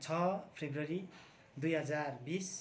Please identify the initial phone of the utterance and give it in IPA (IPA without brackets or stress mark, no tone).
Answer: t͡sʰ